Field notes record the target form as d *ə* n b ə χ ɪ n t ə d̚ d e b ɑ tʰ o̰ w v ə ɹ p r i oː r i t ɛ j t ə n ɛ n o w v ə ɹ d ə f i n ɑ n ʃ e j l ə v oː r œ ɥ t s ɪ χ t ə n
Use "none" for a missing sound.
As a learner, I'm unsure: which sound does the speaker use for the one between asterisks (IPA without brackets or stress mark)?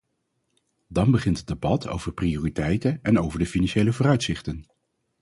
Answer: ɑ